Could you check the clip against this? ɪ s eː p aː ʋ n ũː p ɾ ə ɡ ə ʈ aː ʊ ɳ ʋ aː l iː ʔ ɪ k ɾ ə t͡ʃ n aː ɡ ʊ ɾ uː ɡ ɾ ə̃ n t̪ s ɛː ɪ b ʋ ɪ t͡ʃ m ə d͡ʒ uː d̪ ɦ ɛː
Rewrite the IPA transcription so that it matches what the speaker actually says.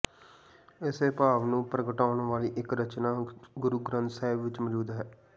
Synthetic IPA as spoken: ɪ s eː p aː ʋ n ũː p ɾ ə ɡ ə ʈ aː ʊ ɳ ʋ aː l iː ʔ ɪ k ɾ ə t͡ʃ n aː ɡ ʊ ɾ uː ɡ ɾ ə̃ n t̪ s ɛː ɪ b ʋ ɪ t͡ʃ m ə d͡ʒ uː d̪ ɦ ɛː